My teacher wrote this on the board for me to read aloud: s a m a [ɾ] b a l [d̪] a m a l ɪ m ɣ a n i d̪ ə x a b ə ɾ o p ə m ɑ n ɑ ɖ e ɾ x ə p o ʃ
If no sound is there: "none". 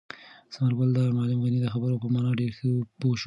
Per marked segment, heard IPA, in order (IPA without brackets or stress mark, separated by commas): ɾ, d̪